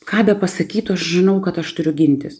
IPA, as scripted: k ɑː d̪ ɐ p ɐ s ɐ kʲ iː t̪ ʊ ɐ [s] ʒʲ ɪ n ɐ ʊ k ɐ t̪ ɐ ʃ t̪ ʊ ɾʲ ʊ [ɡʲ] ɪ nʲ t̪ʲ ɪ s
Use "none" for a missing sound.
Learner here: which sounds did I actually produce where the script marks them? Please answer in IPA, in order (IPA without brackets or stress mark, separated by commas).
ʃ, ɡʲ